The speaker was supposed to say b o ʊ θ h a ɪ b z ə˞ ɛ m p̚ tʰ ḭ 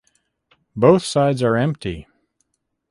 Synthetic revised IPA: b o ʊ θ s a ɪ d z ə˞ ɛ̃ m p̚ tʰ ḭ

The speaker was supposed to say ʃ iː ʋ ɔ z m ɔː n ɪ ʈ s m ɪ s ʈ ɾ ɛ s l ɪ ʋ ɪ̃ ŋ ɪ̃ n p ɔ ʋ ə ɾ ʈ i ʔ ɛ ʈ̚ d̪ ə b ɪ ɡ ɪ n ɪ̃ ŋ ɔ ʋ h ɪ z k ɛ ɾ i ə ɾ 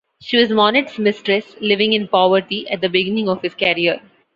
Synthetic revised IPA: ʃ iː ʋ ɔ z m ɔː n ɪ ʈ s m ɪ s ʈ ɾ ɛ s l ɪ ʋ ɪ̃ ŋ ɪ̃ n p ɔ ʋ ə ɾ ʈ i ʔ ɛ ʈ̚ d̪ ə b ɪ ɡ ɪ n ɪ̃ ŋ ɔ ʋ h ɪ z k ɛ ɾ i ə ɾ

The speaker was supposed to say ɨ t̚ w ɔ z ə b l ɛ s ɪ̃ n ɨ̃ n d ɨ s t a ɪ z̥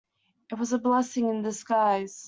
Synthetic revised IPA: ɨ t̚ w ʌ z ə b l ɛ s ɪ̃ ŋ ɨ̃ n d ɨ s k a ɪ z̥

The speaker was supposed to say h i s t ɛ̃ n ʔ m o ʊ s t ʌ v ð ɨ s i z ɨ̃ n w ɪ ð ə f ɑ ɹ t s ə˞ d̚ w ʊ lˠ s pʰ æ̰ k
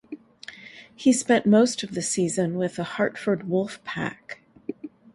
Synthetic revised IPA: h i s p ɛ̃ n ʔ m o ʊ s t ʌ v ð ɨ s i z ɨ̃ n w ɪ ð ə h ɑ ɹ t f ə˞ d̚ w ʊ lˠ f pʰ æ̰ k

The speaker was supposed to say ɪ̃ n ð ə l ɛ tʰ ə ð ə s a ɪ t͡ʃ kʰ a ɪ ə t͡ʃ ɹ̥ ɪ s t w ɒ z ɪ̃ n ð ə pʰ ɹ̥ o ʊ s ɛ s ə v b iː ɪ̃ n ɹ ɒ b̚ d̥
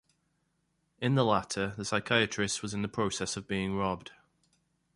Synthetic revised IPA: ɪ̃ n ð ə l a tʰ ə ð ə s a ɪ kʰ a ɪ ə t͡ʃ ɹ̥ ɪ s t w ɒ z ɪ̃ n ð ə pʰ ɹ̥ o ʊ s ɛ s ə v b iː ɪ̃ ŋ ɹ ɒ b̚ d̥

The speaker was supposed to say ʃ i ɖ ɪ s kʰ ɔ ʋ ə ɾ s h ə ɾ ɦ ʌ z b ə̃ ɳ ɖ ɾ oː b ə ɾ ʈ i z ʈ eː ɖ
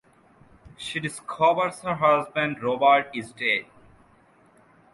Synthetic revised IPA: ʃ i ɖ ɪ s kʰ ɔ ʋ ə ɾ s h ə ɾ ɦ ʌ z b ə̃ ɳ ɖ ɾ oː b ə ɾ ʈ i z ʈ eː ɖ

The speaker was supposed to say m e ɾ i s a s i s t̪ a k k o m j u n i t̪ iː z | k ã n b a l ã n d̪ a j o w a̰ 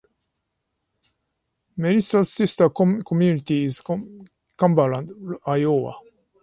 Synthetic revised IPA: m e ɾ i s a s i s t̪ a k k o m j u n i t̪ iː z | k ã m b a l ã n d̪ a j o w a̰

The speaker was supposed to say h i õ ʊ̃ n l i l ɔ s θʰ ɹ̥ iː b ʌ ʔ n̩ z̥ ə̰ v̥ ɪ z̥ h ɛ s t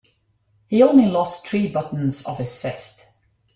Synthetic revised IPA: h i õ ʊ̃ n l i l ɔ s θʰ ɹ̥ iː b ʌ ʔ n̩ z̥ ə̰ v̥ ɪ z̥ f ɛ s t

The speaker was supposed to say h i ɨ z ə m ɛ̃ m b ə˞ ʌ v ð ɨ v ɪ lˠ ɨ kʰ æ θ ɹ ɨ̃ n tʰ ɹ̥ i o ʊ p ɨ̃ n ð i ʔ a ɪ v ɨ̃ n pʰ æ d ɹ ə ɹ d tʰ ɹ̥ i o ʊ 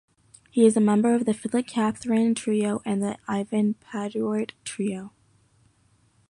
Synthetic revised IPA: h i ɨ z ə m ɛ̃ m b ə˞ ʌ v ð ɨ f ɪ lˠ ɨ kʰ æ θ ɹ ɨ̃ n tʰ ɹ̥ i o ʊ ʔ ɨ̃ n ð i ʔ a ɪ v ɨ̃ n pʰ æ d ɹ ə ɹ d tʰ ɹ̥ i o ʊ

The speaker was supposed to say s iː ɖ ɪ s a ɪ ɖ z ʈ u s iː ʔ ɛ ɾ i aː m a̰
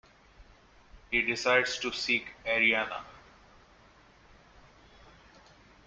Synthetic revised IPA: h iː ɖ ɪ s a ɪ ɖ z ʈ u s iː k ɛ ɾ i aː n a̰

